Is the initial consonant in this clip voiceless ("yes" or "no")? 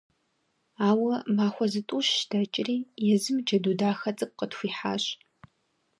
no